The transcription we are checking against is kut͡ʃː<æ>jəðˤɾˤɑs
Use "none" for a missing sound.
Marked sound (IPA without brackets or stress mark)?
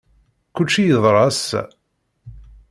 i